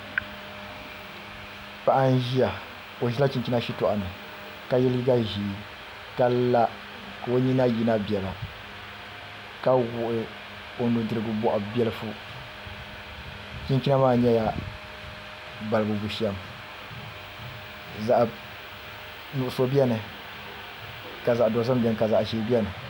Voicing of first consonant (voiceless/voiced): voiceless